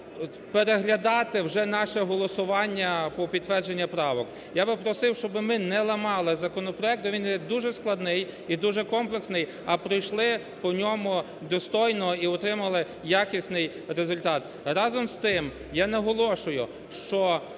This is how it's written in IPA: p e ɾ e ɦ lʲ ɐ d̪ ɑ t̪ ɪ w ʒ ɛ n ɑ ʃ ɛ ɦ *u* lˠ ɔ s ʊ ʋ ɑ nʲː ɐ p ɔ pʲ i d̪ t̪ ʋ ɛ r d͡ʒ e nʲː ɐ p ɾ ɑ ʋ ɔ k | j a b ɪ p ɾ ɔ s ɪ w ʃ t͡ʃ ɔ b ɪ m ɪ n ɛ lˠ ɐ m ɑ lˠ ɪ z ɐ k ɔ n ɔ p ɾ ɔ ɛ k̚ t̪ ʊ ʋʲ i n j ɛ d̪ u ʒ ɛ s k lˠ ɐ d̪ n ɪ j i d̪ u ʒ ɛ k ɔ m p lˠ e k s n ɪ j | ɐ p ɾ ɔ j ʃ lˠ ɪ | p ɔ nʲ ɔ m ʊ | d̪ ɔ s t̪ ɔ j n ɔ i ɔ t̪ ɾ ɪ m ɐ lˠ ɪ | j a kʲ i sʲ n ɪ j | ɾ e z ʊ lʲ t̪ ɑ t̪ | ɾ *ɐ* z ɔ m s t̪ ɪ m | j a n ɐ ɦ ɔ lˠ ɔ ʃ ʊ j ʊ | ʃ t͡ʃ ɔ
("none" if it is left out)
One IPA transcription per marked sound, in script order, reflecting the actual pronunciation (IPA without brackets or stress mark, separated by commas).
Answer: ɔ, ɑ